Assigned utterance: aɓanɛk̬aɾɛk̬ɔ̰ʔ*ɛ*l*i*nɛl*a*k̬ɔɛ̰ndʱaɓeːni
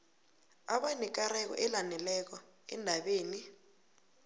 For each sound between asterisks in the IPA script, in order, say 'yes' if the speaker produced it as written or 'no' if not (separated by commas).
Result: yes, no, no